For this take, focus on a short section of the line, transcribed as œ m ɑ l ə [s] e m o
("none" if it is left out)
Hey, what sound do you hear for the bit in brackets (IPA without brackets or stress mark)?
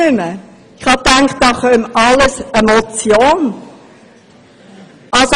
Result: s